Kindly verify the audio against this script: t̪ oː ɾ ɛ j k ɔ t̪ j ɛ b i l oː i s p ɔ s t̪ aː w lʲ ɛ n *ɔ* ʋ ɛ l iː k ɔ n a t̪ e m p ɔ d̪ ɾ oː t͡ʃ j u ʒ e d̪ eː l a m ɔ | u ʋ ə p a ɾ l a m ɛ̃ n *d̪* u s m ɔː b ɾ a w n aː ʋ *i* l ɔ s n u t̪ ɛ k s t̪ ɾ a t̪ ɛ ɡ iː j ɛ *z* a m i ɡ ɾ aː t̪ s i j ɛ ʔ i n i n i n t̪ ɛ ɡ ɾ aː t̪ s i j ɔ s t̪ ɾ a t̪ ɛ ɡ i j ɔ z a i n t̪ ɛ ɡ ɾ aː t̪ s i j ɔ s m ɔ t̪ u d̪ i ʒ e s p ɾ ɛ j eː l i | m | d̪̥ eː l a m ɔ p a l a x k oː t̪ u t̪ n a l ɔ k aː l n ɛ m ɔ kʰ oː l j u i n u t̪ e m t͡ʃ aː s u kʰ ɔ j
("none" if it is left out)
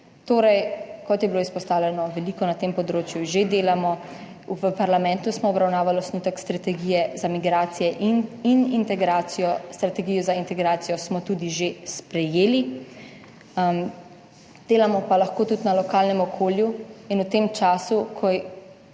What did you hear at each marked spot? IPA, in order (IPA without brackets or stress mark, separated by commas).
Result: ɔ, t̪, a, z